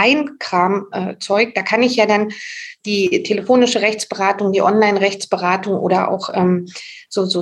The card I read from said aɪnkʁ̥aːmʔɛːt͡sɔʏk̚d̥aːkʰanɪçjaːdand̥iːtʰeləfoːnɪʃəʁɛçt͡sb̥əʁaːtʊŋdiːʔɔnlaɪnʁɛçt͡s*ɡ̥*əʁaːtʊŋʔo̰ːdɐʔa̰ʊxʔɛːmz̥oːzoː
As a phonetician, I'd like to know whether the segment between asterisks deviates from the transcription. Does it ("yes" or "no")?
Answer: yes